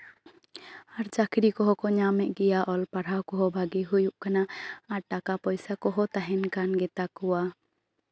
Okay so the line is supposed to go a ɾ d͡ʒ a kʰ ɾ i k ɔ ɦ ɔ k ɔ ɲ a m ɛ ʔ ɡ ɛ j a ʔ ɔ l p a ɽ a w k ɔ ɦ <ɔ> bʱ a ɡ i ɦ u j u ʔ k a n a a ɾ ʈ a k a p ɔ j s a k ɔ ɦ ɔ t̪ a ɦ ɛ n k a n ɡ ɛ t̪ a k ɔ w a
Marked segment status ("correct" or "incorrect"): correct